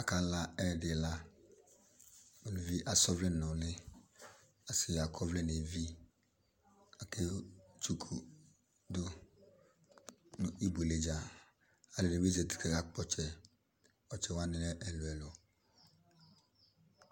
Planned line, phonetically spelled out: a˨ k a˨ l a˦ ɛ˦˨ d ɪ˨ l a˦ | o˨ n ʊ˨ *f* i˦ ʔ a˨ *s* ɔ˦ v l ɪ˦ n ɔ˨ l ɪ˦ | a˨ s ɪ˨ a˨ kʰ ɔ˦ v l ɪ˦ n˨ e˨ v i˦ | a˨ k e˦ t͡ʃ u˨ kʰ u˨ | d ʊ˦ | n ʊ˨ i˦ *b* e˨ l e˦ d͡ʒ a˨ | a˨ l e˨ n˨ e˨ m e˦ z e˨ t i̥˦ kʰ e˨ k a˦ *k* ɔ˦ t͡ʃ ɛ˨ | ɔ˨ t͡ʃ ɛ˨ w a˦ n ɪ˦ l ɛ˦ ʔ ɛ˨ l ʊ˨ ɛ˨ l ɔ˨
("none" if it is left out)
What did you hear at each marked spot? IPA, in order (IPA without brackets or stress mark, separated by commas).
v, s, b, k͡p